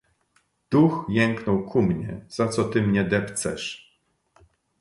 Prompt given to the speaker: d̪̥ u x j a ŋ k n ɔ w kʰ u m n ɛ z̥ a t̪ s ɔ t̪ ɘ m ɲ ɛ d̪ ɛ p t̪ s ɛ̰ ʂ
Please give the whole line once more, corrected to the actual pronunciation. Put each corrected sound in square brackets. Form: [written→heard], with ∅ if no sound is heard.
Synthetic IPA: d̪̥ u x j [a→ɛ] ŋ k n ɔ w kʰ u m [n→ɲ] ɛ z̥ a t̪ s ɔ t̪ ɘ m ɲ ɛ d̪ ɛ p t̪ s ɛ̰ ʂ